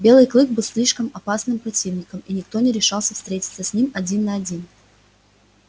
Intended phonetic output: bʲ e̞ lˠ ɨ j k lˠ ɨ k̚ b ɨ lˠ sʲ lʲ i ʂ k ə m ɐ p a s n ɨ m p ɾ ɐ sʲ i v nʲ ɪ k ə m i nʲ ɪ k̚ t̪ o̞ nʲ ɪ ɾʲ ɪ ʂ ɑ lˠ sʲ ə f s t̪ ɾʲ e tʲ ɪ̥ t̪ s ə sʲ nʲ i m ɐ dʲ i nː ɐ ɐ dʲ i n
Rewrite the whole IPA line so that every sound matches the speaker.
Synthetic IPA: bʲ e̞ lˠ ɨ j k lˠ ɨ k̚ b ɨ lˠ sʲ lʲ i ʂ k ə m ɐ p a s n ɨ m p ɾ ɐ tʲ i v nʲ ɪ k ə m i nʲ ɪ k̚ t̪ o̞ nʲ ɪ ɾʲ ɪ ʂ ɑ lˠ sʲ ə f s t̪ ɾʲ e tʲ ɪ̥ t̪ s ə sʲ nʲ i m ɐ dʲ i nː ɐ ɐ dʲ i n

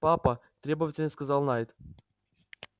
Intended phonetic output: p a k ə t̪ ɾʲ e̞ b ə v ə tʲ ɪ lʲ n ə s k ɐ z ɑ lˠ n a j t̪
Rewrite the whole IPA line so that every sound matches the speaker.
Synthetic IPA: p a p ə t̪ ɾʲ e̞ b ə v ə tʲ ɪ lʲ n ə s k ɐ z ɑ lˠ n a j t̪

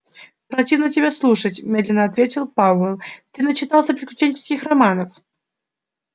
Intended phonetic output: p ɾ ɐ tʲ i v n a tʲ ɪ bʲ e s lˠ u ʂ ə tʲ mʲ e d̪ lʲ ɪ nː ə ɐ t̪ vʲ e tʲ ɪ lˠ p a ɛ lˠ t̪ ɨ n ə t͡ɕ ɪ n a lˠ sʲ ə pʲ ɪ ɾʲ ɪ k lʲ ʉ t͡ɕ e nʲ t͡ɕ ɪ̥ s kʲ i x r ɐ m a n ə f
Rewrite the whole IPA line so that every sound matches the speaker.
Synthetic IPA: p ɾ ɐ tʲ i v n ə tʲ ɪ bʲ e s lˠ u ʂ ə tʲ mʲ e d̪ lʲ ɪ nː ə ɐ t̪ vʲ e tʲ ɪ lˠ p a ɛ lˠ t̪ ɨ n ə t͡ɕ ɪ n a lˠ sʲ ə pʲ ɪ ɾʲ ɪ k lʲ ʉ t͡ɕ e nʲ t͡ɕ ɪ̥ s kʲ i x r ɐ m a n ə f

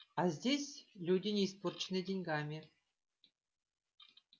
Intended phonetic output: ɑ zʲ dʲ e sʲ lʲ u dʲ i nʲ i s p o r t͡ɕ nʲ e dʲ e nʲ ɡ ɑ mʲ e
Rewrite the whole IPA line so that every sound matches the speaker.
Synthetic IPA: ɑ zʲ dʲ e sʲ lʲ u dʲ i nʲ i s p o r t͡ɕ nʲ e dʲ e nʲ ɡ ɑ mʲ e

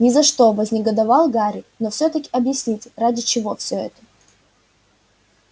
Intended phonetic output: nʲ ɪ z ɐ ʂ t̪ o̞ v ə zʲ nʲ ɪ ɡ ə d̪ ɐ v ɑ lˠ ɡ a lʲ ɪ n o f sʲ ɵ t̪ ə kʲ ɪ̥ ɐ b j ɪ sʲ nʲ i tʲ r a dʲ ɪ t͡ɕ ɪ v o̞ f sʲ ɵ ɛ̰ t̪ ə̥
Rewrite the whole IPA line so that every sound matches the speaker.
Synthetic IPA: nʲ ɪ z ɐ ʂ t̪ o̞ v ə zʲ nʲ ɪ ɡ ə d̪ ɐ v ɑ lˠ ɡ a ɾʲ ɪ n o f sʲ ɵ t̪ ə kʲ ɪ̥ ɐ b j ɪ sʲ nʲ i tʲ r a dʲ ɪ t͡ɕ ɪ v o̞ f sʲ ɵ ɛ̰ t̪ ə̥

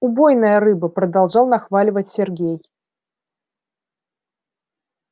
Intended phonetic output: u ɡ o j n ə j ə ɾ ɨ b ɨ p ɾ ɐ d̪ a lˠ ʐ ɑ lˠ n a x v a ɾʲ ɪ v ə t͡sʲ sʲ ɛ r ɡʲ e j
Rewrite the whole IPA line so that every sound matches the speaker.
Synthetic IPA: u b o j n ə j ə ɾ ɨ b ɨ p ɾ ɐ d̪ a lˠ ʐ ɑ lˠ n a x v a lʲ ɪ v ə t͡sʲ sʲ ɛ r ɡʲ e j

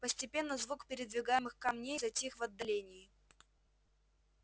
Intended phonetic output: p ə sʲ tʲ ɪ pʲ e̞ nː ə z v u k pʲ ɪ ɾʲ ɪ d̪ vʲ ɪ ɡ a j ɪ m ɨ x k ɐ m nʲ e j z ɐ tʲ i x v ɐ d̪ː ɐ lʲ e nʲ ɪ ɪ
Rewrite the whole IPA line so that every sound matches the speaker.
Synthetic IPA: p ə sʲ tʲ ɪ pʲ e̞ nː ə z v u k pʲ ɪ ɾʲ ɪ d̪ vʲ ɪ ɡ a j ɪ m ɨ x k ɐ m nʲ e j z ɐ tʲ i x v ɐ d̪ː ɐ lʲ e nʲ ɪ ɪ

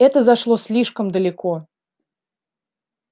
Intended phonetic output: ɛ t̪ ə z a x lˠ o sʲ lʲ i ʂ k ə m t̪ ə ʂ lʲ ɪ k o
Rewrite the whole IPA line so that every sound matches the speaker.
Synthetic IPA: ɛ t̪ ə z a ʂ lˠ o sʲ lʲ i ʂ k ə m d̪ ə lʲ ɪ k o

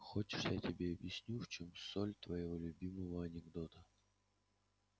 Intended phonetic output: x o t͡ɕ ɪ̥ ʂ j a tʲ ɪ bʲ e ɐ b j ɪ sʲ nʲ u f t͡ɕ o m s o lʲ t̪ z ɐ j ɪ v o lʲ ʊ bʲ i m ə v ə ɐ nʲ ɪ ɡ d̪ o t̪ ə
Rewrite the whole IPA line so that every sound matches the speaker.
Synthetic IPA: x o t͡ɕ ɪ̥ ʂ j a tʲ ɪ bʲ e ɐ b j ɪ sʲ nʲ u f t͡ɕ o m s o lʲ t̪ v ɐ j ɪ v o lʲ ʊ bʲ i m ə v ə ɐ nʲ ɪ ɡ d̪ o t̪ ə

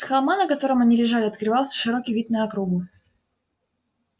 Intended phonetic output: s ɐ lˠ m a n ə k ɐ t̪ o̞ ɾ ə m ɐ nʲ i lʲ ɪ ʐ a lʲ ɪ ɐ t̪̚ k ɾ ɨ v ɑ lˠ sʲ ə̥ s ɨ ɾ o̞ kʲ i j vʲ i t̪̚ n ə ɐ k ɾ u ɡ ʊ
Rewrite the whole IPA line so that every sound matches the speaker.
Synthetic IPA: x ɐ lˠ m a n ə k ɐ t̪ o̞ ɾ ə m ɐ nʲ i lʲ ɪ ʐ a lʲ ɪ ɐ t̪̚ k ɾ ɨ v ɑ lˠ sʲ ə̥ ʂ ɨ ɾ o̞ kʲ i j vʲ i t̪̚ n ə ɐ k ɾ u ɡ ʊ

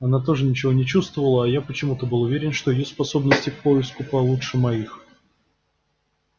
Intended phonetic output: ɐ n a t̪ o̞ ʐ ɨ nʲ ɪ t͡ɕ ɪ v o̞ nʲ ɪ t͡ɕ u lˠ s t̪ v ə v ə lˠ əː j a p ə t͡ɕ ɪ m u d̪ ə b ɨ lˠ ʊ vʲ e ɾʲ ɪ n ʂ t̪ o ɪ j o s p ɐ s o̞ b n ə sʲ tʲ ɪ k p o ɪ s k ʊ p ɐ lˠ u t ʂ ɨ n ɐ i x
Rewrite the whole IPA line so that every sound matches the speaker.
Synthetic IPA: ɐ n a t̪ o̞ ʐ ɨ nʲ ɪ t͡ɕ ɪ v o̞ nʲ ɪ t͡ɕ u s t̪ v ə v ə lˠ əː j a p ə t͡ɕ ɪ m u t̪ ə b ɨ lˠ ʊ vʲ e ɾʲ ɪ n ʂ t̪ o ɪ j o s p ɐ s o̞ b n ə sʲ tʲ ɪ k p o ɪ s k ʊ p ɐ lˠ u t ʂ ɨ m ɐ i x

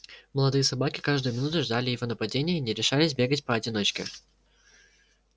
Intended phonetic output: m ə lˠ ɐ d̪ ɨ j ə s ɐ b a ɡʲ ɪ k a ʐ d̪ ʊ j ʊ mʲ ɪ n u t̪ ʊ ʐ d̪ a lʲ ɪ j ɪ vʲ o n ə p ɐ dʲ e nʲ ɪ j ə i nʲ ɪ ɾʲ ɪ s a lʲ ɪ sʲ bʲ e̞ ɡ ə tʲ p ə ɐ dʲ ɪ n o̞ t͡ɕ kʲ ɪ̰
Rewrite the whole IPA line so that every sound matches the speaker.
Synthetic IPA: m ə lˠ ɐ d̪ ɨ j ə s ɐ b a kʲ ɪ k a ʐ d̪ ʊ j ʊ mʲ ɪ n u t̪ ʊ ʐ d̪ a lʲ ɪ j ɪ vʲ o n ə p ɐ dʲ e nʲ ɪ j ə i nʲ ɪ ɾʲ ɪ ʂ a lʲ ɪ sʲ bʲ e̞ ɡ ə tʲ p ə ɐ dʲ ɪ n o̞ t͡ɕ kʲ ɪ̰

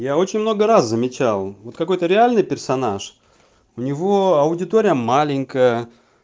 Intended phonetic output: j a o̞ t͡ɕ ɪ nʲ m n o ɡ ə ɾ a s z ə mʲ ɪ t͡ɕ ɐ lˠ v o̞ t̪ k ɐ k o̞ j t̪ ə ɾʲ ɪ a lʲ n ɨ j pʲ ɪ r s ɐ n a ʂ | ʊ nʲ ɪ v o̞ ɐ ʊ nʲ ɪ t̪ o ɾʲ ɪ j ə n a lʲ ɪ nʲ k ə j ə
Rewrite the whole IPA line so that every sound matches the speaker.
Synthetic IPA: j a o̞ t͡ɕ ɪ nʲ m n o ɡ ə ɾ a s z ə mʲ ɪ t͡ɕ a lˠ v o̞ t̪ k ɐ k o̞ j t̪ ə ɾʲ ɪ a lʲ n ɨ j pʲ ɪ r s ɐ n a ʂ | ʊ nʲ ɪ v o̞ ɐ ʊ dʲ ɪ t̪ o ɾʲ ɪ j ə m a lʲ ɪ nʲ k ə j ə

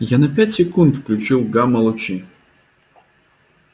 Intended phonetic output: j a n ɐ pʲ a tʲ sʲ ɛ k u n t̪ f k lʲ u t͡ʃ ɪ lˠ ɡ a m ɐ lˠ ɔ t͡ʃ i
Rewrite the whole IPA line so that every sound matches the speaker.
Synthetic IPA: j a n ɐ pʲ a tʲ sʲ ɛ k u n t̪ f k lʲ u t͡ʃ i lˠ ɡ a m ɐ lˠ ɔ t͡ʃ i

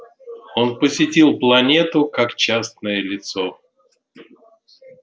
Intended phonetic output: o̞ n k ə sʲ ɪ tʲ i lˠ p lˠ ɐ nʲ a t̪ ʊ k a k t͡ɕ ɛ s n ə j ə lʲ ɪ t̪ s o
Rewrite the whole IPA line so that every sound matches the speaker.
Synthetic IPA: o̞ n p ə sʲ ɪ tʲ i lˠ p lˠ ɐ nʲ e t̪ ʊ k a k t͡ɕ a s n ə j ə lʲ ɪ t̪ s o

